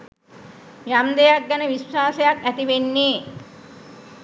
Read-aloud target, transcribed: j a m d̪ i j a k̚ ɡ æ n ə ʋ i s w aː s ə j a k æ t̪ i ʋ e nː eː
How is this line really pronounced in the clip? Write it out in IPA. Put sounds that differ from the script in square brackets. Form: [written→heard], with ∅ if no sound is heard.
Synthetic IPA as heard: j a m d̪ [i→e] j a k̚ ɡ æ n ə ʋ i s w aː s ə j a k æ t̪ i ʋ e nː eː